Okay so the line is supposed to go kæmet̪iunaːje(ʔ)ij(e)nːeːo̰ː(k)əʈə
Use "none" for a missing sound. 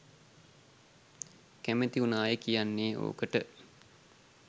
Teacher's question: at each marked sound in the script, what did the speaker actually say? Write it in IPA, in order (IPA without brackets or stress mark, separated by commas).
k, a, k